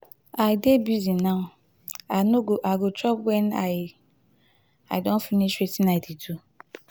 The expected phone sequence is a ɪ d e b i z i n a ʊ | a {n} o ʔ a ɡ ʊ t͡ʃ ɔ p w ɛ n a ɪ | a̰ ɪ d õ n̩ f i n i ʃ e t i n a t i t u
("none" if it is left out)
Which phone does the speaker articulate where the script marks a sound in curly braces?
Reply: n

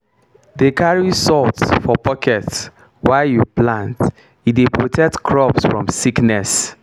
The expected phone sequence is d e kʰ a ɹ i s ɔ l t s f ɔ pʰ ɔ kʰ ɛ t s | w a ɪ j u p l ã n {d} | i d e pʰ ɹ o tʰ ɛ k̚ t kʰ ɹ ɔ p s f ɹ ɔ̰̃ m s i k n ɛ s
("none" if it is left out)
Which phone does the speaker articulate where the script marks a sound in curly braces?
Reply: t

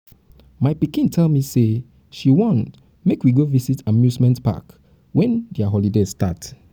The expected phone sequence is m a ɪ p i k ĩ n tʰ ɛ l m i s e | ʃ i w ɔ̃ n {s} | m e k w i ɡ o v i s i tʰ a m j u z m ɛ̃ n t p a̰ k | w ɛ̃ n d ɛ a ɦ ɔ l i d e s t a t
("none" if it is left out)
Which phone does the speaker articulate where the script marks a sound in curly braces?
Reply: t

